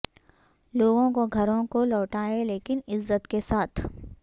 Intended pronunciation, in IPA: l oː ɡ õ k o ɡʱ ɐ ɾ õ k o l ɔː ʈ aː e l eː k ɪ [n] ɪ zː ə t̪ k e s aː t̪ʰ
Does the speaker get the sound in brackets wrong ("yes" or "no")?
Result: no